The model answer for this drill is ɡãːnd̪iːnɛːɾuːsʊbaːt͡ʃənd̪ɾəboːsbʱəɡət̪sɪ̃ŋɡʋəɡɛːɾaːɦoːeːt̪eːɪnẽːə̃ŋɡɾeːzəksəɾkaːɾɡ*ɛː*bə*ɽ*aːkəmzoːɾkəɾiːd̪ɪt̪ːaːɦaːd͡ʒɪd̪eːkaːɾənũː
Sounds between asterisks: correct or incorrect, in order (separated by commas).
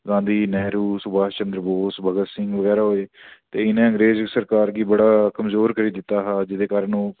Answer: incorrect, correct